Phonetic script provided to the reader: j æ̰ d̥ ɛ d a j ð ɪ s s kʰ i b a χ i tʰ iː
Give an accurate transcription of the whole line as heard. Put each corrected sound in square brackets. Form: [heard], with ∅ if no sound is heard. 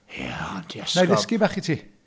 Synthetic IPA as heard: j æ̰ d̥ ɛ [n] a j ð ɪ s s [k] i b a χ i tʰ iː